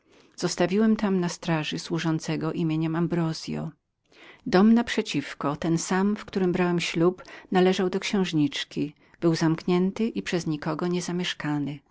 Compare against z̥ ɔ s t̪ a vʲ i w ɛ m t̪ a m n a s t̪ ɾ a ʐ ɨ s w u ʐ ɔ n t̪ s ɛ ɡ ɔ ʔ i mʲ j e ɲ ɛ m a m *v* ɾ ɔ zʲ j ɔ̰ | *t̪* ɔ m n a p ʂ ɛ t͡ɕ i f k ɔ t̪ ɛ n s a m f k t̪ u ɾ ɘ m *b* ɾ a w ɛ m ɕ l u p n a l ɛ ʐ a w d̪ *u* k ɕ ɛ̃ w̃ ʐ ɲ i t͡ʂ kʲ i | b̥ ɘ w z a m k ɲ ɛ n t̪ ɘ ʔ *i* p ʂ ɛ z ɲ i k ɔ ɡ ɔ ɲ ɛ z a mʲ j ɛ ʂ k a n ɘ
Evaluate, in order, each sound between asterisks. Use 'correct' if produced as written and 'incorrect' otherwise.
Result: incorrect, incorrect, correct, incorrect, correct

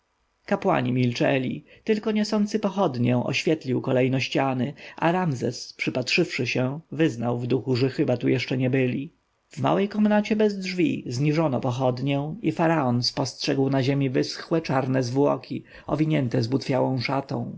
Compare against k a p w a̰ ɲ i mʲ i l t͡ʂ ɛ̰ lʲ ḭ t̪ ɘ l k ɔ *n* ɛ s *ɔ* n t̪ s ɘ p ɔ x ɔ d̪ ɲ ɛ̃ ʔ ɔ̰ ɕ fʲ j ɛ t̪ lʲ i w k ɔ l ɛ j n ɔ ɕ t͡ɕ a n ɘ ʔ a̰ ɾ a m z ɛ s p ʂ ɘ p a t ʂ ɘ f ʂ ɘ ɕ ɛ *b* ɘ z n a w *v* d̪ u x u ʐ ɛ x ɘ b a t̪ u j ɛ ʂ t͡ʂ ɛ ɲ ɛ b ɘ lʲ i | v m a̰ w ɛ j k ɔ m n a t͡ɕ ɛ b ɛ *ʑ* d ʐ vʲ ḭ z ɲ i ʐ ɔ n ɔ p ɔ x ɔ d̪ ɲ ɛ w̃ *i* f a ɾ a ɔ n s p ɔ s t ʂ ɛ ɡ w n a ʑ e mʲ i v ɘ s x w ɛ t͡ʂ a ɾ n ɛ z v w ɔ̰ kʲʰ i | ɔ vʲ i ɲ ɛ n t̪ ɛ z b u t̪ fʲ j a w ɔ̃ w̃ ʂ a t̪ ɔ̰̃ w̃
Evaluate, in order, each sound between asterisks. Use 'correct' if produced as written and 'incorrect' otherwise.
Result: incorrect, correct, incorrect, correct, incorrect, correct

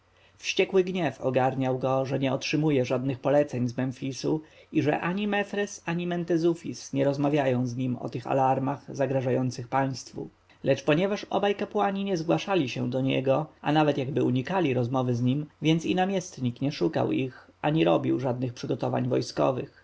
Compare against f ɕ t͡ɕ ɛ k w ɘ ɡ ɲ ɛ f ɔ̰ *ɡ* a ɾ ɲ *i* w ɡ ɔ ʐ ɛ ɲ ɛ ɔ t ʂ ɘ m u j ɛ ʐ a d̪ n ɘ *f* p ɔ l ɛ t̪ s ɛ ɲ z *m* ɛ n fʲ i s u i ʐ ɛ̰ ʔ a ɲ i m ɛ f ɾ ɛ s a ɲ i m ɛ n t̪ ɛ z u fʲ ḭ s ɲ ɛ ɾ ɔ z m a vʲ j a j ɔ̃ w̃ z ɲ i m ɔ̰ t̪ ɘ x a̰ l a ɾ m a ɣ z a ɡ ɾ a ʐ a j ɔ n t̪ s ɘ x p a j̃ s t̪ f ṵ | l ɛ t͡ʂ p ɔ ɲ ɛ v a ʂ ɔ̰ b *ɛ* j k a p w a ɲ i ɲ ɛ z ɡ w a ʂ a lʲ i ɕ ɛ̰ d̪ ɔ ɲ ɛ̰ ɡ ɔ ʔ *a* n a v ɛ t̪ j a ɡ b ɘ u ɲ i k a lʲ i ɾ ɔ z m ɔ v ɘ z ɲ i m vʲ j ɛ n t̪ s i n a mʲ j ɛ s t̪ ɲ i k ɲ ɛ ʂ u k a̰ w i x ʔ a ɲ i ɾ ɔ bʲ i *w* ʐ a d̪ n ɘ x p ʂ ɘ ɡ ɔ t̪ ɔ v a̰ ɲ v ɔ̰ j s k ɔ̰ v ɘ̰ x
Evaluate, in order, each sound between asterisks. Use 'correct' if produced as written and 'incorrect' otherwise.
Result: correct, incorrect, incorrect, correct, incorrect, correct, correct

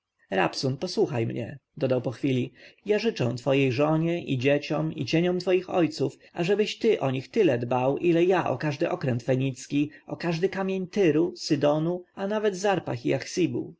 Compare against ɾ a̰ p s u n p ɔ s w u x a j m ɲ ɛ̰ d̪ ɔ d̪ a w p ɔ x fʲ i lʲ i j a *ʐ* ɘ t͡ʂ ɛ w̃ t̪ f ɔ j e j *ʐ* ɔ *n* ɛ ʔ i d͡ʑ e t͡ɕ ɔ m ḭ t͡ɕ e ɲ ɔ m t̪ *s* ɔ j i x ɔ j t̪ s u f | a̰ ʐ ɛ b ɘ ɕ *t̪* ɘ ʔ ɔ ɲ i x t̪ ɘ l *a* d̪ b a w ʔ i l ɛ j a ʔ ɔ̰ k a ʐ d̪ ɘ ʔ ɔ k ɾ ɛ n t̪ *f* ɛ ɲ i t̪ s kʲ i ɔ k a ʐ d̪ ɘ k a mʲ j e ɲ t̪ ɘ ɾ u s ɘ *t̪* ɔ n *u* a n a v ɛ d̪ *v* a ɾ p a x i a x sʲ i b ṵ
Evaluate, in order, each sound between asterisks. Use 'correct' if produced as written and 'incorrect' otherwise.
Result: correct, correct, incorrect, incorrect, correct, incorrect, correct, incorrect, correct, incorrect

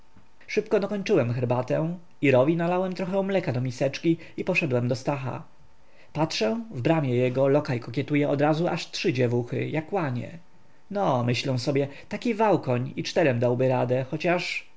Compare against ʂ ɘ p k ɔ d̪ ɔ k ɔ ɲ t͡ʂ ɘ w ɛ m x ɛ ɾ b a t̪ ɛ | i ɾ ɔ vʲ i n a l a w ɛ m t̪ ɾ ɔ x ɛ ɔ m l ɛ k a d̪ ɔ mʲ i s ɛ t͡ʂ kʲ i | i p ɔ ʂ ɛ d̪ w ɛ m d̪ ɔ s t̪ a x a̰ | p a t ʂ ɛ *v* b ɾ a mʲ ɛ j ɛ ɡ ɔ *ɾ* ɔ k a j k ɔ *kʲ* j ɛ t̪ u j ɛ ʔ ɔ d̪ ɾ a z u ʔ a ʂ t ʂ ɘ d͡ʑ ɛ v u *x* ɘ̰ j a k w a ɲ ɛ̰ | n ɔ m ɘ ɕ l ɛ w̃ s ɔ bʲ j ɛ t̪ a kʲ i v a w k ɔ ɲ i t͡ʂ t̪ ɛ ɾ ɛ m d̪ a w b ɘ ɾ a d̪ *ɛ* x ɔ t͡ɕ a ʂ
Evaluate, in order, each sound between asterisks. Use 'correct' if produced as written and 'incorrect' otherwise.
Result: correct, incorrect, correct, correct, correct

